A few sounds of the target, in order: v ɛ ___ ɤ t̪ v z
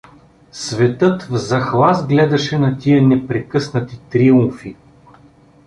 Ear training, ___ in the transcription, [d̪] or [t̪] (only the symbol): t̪